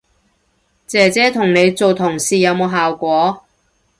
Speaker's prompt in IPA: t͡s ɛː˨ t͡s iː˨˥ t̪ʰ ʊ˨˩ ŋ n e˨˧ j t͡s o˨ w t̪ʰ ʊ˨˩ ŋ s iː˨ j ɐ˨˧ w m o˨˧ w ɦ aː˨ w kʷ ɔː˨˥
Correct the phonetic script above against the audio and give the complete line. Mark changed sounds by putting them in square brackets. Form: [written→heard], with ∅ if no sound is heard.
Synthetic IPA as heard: t͡s ɛː˨ t͡s [iː˨˥→ɛː˨˥] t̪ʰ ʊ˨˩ ŋ n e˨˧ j t͡s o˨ w t̪ʰ ʊ˨˩ ŋ s iː˨ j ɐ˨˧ w m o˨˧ w ɦ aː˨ w kʷ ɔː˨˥